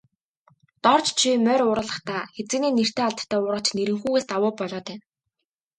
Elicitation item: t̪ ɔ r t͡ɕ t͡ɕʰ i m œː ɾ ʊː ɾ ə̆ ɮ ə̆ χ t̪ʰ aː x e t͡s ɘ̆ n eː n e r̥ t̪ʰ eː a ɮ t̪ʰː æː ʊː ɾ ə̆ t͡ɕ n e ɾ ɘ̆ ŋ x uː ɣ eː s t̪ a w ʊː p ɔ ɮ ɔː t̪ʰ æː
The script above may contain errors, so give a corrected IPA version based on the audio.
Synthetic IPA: t̪ ɔ r t͡ɕ t͡ɕʰ i m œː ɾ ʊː ɾ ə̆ ɮ ə̆ χ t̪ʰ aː x e t͡s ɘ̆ n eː n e r̥ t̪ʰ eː a ɮ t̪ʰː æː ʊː ɾ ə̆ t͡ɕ n e ɾ ɘ̆ ŋ x uː ɣ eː s t̪ a w ʊː p ɔ ɮ ɔː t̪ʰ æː